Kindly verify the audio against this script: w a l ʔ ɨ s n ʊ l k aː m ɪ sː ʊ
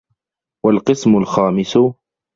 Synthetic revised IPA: w a l q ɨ s m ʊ l x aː m ɪ s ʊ